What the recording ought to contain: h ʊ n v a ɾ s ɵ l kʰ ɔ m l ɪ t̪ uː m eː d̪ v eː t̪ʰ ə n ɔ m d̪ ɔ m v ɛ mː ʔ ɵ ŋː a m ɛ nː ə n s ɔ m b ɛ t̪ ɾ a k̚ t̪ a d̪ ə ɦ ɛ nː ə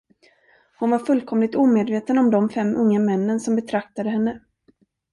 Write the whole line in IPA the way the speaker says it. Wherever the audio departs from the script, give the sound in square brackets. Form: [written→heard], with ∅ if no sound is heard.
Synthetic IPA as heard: h ʊ n v a ɾ [s→f] ɵ l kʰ ɔ m l ɪ t̪ uː m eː d̪ v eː [t̪ʰ→t̪] ə n ɔ m d̪ ɔ m [v→f] ɛ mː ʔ ɵ ŋː a m ɛ nː ə n s ɔ m b ɛ [t̪→t̪ʰ] ɾ a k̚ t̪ a d̪ ə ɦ ɛ nː ə